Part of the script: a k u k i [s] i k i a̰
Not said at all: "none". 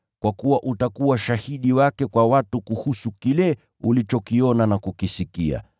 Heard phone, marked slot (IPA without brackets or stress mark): s